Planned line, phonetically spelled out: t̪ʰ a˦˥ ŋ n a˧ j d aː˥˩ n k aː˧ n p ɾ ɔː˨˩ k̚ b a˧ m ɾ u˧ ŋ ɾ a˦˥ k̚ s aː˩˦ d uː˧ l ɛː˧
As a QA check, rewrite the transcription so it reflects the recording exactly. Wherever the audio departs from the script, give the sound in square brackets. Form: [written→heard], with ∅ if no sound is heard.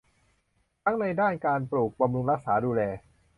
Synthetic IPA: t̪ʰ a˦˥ ŋ n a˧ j d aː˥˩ n k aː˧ n p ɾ [ɔː˨˩→uː˨˩] k̚ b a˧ m ɾ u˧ ŋ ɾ a˦˥ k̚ s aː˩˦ d uː˧ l ɛː˧